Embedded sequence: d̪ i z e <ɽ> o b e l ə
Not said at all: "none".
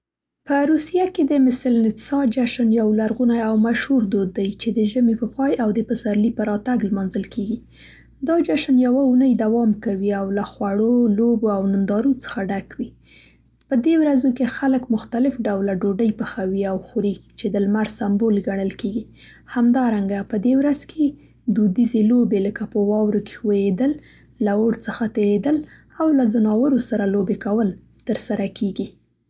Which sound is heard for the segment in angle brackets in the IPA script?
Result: l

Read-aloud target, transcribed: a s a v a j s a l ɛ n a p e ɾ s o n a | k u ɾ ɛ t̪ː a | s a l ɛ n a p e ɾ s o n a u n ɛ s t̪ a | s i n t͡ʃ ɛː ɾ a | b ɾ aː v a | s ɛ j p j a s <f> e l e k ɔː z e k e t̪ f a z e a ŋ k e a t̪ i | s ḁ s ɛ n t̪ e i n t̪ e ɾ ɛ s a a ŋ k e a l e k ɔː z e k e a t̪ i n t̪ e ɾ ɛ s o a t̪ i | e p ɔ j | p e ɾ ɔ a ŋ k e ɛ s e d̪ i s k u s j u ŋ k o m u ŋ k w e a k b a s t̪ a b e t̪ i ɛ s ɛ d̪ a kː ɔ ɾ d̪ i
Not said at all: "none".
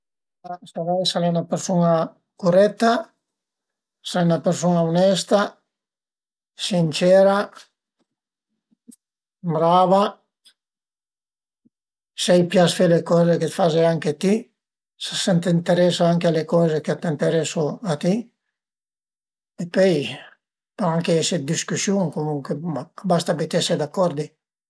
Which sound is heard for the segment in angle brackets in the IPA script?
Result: f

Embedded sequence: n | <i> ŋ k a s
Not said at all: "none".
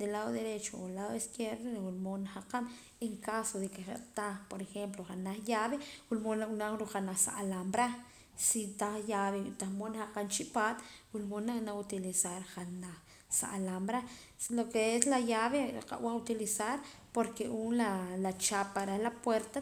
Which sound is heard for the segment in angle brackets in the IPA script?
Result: e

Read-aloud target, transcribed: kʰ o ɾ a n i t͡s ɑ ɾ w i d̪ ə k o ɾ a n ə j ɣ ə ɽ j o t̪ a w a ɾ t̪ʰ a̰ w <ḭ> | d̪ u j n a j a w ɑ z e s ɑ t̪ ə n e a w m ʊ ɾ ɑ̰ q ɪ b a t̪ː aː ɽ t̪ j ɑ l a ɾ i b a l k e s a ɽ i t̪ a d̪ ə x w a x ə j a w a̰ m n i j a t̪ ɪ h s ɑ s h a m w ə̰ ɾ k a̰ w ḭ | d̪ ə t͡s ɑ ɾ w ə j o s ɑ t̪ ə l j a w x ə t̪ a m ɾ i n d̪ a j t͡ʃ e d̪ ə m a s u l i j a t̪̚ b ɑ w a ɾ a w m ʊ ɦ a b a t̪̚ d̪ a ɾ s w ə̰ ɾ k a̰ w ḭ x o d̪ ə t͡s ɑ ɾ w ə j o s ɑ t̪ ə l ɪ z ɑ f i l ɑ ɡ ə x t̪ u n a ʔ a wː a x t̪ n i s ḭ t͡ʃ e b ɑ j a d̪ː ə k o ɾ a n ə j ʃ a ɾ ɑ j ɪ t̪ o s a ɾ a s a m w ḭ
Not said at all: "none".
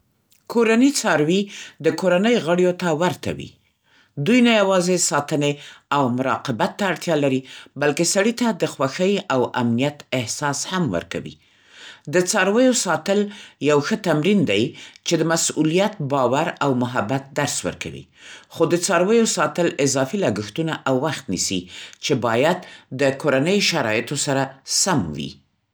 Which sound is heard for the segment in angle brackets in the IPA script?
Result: ḭ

